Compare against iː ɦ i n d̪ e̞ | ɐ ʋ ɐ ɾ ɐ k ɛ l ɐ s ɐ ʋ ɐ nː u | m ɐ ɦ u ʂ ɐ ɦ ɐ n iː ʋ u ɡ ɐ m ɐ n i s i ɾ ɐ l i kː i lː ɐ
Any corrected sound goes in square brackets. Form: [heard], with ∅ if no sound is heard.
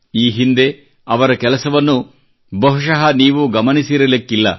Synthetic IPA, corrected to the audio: iː ɦ i n d̪ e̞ | ɐ ʋ ɐ ɾ ɐ k ɛ l ɐ s ɐ ʋ ɐ nː u | [b] ɐ ɦ u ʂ ɐ ɦ ɐ n iː ʋ u ɡ ɐ m ɐ n i s i ɾ ɐ l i kː i lː ɐ